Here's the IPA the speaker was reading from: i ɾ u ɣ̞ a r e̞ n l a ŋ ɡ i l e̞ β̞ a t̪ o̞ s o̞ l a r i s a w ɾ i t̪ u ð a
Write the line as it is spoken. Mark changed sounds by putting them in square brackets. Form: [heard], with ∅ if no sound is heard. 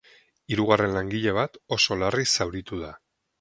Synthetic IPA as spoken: i ɾ u ɣ̞ a r e̞ n l a ŋ ɡ i [ʎ] e̞ β̞ a t̪ o̞ s o̞ l a r i s a w ɾ i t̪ u ð a